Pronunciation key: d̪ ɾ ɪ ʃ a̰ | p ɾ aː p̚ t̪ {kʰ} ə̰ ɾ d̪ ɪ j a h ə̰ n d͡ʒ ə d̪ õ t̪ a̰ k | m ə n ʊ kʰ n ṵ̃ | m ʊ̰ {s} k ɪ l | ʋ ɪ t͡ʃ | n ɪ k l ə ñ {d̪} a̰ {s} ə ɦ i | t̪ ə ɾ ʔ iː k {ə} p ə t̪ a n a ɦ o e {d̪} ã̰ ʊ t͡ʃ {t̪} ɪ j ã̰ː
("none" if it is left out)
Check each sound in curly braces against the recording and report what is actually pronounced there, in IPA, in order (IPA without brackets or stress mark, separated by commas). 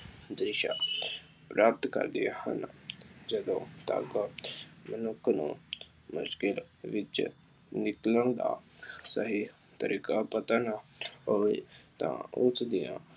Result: k, ʃ, d̪, s, a, t̪, d̪